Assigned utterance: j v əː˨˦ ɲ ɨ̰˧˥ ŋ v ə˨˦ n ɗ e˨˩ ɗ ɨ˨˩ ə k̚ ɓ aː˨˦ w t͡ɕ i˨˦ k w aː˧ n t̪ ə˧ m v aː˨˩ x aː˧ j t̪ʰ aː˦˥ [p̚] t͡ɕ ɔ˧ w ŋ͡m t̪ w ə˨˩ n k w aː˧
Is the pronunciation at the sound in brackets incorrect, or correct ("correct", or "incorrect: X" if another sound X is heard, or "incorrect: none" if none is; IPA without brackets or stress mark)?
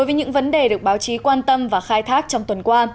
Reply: incorrect: k̚